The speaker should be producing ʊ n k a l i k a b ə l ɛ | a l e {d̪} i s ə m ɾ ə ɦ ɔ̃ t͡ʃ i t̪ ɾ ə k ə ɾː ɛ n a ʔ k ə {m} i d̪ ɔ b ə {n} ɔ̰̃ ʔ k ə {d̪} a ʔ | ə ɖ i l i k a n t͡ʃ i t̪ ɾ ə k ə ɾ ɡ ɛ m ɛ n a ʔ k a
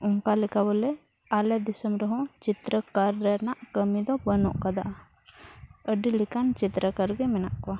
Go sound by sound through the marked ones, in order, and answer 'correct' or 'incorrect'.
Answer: correct, correct, correct, correct

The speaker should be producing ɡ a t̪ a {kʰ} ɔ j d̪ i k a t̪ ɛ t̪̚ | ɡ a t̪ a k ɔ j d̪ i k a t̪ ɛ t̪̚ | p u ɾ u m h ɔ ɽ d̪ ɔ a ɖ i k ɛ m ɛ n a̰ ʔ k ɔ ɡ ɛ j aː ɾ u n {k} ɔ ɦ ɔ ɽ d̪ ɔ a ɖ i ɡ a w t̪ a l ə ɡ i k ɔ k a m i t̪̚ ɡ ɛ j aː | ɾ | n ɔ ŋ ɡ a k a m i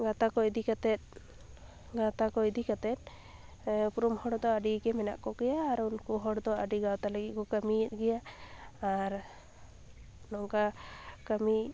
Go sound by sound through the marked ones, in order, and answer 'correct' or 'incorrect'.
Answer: incorrect, correct

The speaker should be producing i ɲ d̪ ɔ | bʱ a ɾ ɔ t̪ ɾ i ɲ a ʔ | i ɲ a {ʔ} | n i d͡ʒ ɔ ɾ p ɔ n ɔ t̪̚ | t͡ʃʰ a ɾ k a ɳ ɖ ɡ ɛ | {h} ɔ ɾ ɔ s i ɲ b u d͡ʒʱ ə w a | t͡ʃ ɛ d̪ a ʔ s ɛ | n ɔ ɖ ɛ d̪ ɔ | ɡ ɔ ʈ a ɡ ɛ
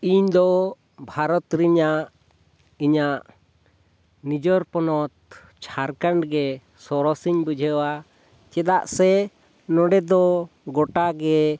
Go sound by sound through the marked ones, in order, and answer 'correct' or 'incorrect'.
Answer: correct, incorrect

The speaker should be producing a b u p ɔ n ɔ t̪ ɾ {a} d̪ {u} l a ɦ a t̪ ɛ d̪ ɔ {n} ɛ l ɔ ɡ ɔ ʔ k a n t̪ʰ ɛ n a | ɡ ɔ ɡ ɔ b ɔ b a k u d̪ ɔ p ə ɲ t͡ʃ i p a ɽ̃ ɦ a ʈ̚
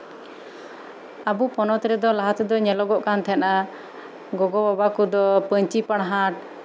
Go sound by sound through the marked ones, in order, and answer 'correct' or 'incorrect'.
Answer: incorrect, incorrect, incorrect

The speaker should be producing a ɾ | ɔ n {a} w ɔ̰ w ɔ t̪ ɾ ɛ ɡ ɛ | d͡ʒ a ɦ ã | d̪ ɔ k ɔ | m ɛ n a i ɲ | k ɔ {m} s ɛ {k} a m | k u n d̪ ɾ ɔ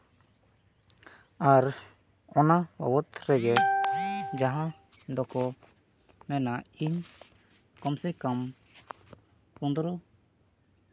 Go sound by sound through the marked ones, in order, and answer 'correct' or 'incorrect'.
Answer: correct, correct, correct

